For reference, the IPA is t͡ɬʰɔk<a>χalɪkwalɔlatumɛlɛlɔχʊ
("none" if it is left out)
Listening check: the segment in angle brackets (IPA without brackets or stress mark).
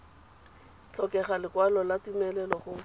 ɛ